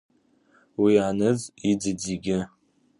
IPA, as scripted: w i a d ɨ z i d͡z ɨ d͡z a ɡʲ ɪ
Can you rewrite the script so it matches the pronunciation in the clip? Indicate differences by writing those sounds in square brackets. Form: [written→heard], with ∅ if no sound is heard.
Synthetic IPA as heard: w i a [d→n] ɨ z i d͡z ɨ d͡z [a→i] ɡʲ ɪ